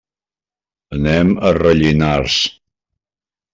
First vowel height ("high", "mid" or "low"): mid